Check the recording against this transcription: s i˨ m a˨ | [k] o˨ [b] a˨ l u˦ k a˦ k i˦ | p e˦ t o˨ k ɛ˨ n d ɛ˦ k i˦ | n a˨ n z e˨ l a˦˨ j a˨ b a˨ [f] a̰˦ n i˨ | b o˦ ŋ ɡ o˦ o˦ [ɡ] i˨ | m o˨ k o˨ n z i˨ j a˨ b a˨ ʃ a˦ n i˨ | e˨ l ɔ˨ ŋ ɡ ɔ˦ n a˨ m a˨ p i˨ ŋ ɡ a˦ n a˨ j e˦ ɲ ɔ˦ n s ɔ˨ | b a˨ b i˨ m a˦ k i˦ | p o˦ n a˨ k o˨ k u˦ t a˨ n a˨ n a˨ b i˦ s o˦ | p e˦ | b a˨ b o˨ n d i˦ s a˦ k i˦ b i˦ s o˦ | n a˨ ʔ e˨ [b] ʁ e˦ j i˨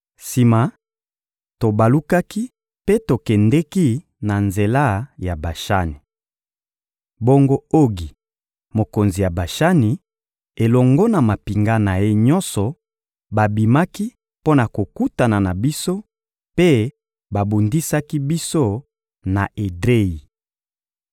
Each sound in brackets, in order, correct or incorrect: incorrect, correct, incorrect, correct, incorrect

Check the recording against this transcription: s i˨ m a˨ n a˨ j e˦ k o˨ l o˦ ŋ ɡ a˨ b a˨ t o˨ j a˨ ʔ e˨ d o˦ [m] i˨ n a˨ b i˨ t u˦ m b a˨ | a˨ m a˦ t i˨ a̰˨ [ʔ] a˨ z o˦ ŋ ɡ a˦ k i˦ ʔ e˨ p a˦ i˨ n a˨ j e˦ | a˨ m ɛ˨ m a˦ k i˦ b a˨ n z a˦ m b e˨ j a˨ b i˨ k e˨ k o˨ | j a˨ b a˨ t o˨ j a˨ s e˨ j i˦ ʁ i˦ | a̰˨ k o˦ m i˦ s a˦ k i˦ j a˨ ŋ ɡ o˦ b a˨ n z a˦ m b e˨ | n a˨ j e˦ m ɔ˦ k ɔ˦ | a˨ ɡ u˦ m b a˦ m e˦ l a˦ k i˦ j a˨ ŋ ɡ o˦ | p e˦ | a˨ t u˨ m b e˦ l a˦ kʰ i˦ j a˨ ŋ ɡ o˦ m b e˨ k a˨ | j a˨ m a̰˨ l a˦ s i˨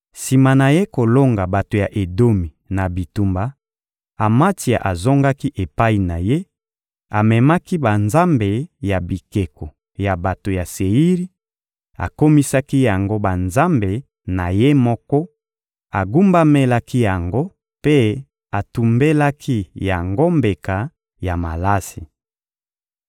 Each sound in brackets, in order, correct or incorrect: correct, correct

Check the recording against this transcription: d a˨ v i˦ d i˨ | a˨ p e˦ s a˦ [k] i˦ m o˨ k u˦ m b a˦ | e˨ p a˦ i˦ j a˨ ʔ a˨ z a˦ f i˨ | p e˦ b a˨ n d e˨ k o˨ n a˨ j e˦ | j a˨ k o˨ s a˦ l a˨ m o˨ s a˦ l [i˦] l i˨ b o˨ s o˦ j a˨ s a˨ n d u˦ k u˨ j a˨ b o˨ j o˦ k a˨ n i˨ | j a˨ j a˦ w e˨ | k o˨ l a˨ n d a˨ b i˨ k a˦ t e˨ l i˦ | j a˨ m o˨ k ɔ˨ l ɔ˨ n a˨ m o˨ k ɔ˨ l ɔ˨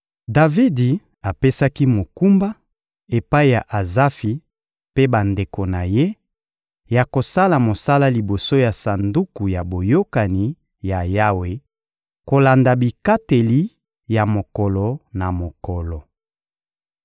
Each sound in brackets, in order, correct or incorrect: correct, incorrect

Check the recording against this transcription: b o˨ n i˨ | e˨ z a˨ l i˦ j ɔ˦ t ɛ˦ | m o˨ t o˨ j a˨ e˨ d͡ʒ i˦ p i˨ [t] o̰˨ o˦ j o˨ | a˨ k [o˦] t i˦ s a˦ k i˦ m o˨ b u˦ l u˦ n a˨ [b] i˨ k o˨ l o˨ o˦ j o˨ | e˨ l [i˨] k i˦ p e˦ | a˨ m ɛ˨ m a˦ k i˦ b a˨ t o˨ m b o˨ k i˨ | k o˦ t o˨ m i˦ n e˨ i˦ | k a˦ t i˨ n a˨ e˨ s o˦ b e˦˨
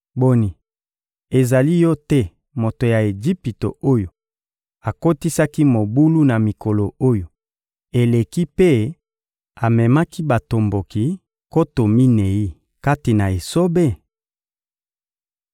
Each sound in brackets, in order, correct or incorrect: correct, correct, incorrect, incorrect

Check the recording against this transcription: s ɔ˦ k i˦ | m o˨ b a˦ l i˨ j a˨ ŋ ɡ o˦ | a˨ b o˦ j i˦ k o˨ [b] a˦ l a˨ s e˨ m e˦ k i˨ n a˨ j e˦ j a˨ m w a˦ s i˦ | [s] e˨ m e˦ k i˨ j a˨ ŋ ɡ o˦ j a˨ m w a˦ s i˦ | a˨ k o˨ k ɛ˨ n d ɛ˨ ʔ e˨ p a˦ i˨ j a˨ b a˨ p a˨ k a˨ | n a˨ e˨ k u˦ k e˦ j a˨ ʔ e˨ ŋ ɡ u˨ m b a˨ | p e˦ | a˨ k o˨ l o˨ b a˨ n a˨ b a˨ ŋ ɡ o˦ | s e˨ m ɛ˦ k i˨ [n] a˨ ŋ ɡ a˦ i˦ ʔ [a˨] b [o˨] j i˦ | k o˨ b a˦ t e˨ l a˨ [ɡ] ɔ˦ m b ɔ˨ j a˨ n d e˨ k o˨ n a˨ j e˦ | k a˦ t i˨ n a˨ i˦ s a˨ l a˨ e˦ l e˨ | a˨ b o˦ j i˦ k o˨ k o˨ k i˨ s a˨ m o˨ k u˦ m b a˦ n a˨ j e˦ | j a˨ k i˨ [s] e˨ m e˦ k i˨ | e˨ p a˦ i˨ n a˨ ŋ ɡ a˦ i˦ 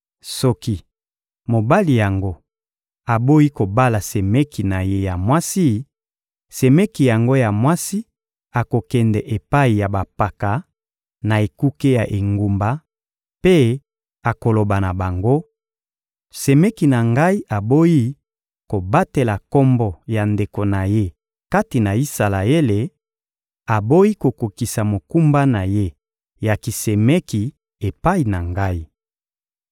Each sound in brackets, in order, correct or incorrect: correct, correct, correct, correct, incorrect, incorrect, correct

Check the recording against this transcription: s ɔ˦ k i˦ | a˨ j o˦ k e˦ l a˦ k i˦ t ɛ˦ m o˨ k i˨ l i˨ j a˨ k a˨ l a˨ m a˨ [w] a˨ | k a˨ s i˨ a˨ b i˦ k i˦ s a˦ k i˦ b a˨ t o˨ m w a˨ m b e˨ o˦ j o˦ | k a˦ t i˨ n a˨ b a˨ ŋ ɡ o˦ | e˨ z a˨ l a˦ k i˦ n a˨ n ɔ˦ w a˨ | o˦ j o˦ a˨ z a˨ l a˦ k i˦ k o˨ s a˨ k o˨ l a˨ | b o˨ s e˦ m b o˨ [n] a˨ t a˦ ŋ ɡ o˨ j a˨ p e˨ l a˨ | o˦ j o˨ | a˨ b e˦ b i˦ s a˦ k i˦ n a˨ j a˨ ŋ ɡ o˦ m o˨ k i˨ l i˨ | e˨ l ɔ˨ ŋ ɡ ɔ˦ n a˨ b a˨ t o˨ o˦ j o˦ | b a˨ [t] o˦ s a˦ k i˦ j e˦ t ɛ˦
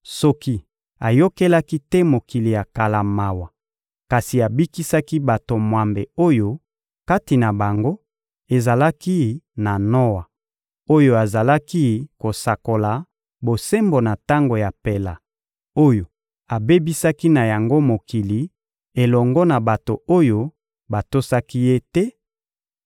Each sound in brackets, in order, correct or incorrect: correct, correct, correct

